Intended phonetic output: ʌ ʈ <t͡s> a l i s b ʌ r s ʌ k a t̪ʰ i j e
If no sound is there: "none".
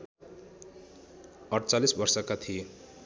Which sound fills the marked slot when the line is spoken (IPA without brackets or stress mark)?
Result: t͡s